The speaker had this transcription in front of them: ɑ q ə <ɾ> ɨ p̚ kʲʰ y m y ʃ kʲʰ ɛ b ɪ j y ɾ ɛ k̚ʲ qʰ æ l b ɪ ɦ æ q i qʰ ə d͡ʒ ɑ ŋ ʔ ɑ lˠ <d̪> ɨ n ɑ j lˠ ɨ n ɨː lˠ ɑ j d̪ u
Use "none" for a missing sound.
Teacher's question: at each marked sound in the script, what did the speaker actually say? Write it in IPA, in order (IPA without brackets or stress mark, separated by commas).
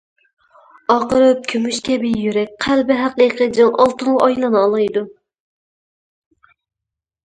ɾ, t̪